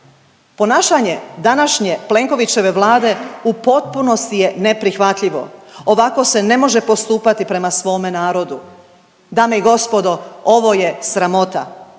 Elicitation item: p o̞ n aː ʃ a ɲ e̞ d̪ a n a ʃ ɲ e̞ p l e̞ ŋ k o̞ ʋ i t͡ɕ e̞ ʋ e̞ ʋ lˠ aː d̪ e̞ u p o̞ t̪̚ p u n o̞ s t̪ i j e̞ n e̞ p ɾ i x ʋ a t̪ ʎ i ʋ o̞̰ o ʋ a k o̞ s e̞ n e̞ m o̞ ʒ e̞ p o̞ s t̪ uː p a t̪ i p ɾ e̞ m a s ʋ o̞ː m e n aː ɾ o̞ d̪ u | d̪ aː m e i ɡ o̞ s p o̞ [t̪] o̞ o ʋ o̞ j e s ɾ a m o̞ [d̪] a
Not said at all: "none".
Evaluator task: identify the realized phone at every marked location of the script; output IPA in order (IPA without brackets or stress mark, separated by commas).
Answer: d̪, t̪